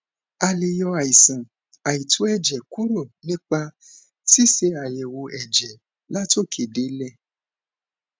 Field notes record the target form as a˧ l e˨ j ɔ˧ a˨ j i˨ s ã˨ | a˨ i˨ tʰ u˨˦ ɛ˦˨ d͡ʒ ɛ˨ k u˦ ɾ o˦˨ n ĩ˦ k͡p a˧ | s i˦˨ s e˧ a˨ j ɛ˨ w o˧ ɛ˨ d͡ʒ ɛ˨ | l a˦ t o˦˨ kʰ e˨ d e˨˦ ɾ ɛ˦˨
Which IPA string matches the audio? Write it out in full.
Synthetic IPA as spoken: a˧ l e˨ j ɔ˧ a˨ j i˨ s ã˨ | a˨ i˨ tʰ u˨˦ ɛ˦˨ d͡ʒ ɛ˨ k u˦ ɾ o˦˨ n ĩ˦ k͡p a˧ | s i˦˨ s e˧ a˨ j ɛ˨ w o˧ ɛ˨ d͡ʒ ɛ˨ | l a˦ t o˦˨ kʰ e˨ d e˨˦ l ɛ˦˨